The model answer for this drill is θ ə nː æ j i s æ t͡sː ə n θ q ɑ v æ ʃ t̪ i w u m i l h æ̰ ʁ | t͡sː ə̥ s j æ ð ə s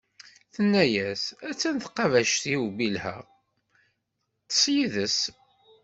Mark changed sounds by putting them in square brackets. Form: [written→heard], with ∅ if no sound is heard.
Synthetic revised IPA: θ ə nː æ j [i→æ] s æ t͡sː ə n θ q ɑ v æ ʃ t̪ i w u [m→b] i l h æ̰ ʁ | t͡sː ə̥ s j [æ→i] ð ə s